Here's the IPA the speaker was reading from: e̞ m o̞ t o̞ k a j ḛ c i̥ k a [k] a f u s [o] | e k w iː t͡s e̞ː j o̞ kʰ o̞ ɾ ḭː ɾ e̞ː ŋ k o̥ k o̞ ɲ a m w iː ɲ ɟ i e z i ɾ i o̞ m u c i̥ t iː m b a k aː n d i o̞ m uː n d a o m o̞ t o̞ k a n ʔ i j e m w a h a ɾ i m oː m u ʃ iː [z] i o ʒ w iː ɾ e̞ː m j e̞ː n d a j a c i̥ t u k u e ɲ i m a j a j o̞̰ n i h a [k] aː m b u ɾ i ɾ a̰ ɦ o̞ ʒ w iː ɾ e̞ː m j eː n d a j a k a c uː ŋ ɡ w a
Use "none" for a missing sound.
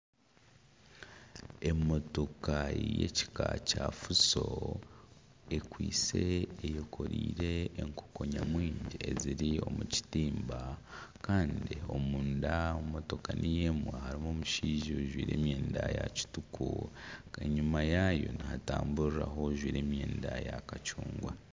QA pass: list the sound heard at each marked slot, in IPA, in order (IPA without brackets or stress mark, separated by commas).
c, o, ʒ, t